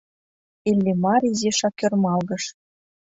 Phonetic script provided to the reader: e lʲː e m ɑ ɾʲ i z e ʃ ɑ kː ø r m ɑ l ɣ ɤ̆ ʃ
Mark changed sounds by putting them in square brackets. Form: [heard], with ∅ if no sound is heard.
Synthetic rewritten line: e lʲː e m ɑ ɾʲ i z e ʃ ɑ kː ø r m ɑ l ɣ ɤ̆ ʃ

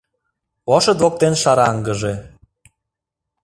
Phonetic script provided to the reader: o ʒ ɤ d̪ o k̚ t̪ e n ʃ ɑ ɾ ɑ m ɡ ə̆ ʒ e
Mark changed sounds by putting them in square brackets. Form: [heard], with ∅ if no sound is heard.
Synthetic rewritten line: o [ʃ] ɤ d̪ o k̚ t̪ e n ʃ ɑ ɾ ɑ [ŋ] ɡ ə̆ ʒ e

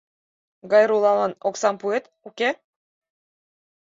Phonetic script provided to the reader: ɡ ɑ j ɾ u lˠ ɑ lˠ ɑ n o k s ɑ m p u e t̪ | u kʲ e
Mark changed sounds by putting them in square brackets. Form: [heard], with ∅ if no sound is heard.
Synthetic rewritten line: ɡ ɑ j ɾ u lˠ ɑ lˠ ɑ n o k s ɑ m p u e t̪ | u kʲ e

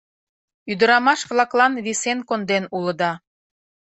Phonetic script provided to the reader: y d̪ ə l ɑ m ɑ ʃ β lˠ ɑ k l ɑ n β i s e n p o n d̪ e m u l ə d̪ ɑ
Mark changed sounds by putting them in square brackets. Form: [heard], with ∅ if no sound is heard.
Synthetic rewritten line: y d̪ ə [ɾ] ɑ m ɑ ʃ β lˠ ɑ k l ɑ n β i s e n [k] o n d̪ e [n] u l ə d̪ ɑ

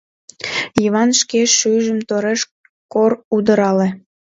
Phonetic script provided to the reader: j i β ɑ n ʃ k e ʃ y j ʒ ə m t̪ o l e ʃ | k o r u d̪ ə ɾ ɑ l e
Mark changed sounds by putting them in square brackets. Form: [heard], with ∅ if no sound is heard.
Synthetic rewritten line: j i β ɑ n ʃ k e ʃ y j ʒ ə m t̪ o [ɾ] e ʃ | k o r u d̪ ə ɾ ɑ l e

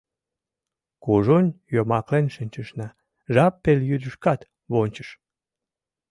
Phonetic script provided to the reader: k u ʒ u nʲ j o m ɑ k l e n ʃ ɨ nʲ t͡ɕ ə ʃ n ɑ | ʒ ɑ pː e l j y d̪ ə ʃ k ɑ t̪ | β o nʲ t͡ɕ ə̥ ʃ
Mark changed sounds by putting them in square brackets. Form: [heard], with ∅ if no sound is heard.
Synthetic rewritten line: k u ʒ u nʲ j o m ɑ k l e n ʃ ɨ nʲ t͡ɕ ə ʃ n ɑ | ʒ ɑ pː e l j y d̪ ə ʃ k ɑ t̪ | β o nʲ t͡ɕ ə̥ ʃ

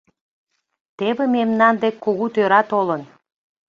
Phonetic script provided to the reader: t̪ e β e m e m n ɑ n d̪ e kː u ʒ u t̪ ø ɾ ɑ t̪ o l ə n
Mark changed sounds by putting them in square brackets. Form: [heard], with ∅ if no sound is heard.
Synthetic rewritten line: t̪ e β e m e m n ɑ n d̪ e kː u [ɣ] u t̪ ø ɾ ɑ t̪ o l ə n

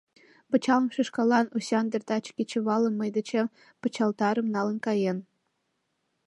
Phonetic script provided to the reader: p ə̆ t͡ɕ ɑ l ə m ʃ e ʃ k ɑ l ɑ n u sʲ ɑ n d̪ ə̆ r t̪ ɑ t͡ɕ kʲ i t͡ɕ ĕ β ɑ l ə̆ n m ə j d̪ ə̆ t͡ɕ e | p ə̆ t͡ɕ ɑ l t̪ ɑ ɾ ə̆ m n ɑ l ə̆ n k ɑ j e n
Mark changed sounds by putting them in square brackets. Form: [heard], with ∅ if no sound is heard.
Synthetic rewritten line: p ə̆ t͡ɕ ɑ l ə m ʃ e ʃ k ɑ l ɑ n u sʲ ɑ n d̪ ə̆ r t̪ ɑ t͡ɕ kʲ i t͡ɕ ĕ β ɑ l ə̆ n m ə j d̪ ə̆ t͡ɕ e | p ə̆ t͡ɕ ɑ l t̪ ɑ ɾ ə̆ m n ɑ l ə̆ n k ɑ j e n

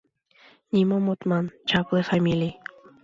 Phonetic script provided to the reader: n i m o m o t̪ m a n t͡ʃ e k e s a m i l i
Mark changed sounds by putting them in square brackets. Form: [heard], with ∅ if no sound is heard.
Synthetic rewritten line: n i m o m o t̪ m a n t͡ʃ [a] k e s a m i l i

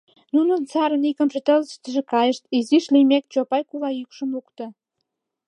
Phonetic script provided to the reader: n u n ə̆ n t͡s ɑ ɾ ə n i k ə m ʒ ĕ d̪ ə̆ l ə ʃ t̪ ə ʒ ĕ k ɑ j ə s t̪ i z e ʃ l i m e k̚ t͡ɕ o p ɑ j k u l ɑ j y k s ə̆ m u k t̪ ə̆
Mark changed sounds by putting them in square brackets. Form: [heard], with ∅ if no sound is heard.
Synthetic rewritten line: n u n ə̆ n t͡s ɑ ɾ ə n i k ə m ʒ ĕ [t̪] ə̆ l ə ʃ t̪ ə ʒ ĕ k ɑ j ə [ʃ] t̪ i z [i] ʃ l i m e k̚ t͡ɕ o p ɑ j k u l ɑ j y k [ʃ] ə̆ m u k t̪ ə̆

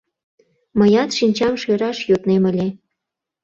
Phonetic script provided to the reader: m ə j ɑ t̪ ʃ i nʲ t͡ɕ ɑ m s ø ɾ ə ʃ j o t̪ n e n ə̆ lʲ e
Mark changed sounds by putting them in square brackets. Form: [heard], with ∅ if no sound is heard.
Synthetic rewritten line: m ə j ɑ t̪ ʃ i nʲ t͡ɕ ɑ m [ʃ] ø ɾ [ɑ] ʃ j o t̪ n e [m] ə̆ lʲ e

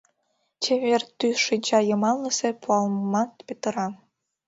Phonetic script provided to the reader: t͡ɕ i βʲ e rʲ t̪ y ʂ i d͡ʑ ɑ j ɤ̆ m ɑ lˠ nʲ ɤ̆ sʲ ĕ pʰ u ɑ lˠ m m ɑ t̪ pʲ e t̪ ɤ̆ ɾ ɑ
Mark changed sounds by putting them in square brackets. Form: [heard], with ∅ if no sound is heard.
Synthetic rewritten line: t͡ɕ [e] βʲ e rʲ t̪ y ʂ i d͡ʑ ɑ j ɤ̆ m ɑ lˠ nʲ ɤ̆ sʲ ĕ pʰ u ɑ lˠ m m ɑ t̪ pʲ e t̪ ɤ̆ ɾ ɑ

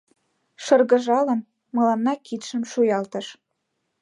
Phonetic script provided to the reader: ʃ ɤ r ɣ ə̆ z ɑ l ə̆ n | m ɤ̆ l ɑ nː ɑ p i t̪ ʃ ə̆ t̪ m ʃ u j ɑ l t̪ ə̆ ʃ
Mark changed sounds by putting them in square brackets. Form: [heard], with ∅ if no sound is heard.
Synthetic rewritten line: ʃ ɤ r ɣ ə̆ [ʒ] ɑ l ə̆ n | m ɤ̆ l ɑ nː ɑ [k] i t̪ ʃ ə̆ [∅] m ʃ u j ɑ l t̪ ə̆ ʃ

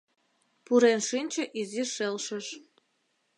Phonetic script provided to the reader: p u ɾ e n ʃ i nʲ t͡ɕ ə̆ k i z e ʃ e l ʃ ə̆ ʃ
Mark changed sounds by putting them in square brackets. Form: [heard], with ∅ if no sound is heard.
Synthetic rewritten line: p u ɾ e n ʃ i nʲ t͡ɕ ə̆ [ʔ] i z [i] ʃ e l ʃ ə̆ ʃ

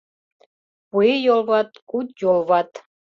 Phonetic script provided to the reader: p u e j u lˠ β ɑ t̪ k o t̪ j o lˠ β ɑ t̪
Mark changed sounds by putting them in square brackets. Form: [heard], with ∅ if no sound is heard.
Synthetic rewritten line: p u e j [o] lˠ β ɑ t̪ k [u] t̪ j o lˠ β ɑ t̪

